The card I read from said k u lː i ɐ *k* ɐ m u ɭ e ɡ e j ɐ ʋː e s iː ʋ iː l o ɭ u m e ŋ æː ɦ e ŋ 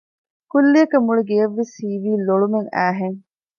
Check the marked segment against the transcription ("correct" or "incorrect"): correct